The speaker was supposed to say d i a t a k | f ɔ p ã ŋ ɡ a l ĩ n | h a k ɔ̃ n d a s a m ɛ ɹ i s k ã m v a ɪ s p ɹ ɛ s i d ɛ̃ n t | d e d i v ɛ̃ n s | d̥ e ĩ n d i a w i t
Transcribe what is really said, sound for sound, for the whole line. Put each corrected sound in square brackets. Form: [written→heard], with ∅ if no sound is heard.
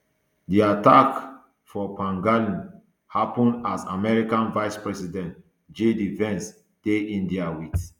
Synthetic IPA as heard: d i a t a k | f ɔ p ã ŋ ɡ a l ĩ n | h a [k→p] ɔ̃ n d a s a m ɛ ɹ i [s→∅] k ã [m→n] v a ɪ s p ɹ ɛ s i d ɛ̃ n t | [d→d͡ʒ] e d i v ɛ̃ n s | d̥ e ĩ n d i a w i t